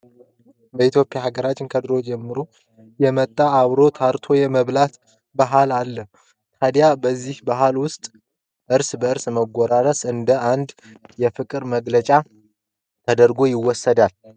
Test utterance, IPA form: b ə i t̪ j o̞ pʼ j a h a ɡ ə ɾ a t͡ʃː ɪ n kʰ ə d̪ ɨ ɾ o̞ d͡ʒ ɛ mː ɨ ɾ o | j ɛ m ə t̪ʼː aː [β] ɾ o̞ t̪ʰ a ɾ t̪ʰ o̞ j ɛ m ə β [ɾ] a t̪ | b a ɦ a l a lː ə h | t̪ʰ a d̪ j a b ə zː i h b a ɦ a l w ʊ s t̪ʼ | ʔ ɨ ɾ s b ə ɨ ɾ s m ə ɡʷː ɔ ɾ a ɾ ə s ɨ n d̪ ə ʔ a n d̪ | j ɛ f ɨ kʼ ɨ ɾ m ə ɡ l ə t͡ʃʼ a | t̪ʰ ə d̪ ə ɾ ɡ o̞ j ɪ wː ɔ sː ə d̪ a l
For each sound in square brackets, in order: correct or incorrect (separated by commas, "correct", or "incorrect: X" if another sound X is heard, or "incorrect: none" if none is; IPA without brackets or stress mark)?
correct, incorrect: l